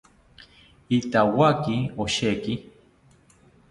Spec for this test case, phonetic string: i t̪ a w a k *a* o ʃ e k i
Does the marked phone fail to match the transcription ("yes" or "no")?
yes